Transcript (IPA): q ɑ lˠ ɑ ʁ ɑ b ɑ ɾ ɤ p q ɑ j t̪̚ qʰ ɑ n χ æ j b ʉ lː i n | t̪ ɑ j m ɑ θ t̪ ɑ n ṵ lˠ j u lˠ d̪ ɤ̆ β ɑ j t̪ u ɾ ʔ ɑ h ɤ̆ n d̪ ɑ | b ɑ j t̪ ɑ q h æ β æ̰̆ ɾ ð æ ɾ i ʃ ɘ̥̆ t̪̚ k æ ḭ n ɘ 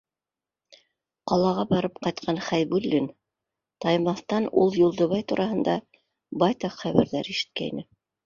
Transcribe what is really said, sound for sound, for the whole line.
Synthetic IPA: q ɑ lˠ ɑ ʁ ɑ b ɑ ɾ ɤ p q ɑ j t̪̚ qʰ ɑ n χ æ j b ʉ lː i n | t̪ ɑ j m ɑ θ t̪ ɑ n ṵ lˠ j u lˠ d̪ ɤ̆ β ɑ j t̪ u ɾ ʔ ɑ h ɤ̆ n d̪ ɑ | b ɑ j t̪ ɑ q χ æ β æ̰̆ ɾ ð æ ɾ i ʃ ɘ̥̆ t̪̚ k æ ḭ n ɘ